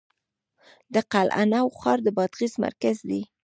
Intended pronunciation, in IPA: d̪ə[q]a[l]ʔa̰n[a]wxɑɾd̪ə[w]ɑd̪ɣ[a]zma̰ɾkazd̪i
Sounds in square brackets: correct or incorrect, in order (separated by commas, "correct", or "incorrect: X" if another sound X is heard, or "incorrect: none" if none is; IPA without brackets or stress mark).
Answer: correct, correct, correct, incorrect: b, incorrect: i